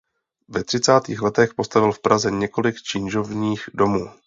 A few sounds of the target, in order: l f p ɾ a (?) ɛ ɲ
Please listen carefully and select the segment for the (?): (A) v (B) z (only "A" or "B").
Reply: B